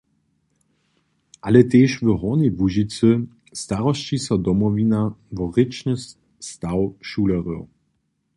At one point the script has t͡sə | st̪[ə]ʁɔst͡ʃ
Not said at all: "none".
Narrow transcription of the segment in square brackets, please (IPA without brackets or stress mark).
a